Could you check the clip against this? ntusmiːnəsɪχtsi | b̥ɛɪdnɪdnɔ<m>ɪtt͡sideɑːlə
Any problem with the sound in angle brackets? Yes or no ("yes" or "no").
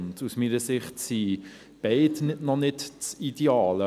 yes